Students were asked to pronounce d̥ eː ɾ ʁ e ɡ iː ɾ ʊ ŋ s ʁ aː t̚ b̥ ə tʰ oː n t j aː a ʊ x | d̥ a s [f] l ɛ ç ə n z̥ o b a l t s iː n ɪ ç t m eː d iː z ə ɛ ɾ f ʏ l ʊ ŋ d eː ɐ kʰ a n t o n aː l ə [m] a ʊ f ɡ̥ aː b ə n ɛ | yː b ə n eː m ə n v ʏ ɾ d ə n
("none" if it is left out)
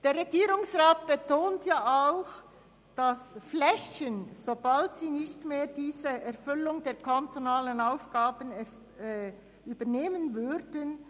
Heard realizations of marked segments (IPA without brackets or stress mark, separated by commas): f, n